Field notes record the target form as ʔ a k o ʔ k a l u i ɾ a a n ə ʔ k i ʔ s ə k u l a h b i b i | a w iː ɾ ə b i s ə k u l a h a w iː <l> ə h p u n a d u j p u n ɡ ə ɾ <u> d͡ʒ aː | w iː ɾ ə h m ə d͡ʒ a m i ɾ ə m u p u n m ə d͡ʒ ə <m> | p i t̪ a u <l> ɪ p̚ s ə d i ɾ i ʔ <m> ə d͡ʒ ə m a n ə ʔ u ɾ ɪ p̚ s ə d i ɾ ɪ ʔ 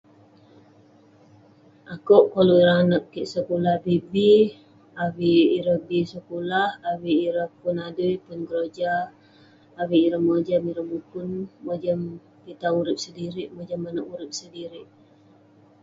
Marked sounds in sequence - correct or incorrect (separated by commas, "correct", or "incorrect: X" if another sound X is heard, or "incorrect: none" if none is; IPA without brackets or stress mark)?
incorrect: ɾ, incorrect: o, correct, incorrect: ɾ, correct